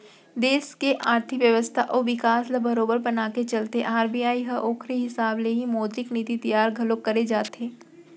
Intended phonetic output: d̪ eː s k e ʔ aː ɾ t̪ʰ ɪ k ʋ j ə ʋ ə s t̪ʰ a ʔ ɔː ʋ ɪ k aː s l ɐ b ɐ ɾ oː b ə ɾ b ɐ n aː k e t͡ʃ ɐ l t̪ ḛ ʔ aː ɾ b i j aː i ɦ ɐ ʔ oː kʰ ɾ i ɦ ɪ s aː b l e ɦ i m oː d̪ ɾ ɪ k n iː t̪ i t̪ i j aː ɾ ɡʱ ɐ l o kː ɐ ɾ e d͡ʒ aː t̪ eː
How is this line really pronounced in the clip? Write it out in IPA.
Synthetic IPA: d̪ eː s k e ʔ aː ɾ t̪ʰ ɪ k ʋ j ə ʋ ə s t̪ʰ a ʔ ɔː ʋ ɪ k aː s l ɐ b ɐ ɾ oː b ə ɾ b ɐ n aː k e t͡ʃ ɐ l t̪ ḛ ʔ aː ɾ b i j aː i ɦ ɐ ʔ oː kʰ ɾ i ɦ ɪ s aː b l e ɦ i m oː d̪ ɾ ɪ k n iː t̪ i t̪ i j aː ɾ ɡʱ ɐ l o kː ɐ ɾ e d͡ʒ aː t̪ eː